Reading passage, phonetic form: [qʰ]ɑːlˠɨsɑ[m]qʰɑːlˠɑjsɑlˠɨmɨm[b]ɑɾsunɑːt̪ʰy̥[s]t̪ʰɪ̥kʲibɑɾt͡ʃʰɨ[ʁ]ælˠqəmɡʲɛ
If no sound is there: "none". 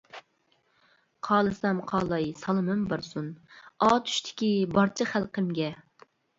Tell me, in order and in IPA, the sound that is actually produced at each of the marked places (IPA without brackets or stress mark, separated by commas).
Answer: qʰ, m, b, ʃ, χ